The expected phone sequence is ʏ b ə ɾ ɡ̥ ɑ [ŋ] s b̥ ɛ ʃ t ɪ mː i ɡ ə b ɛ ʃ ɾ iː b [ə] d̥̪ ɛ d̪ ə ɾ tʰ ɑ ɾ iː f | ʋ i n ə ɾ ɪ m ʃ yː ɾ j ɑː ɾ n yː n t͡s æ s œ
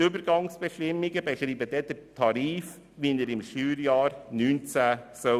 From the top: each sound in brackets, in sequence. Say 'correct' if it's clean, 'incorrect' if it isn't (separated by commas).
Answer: correct, correct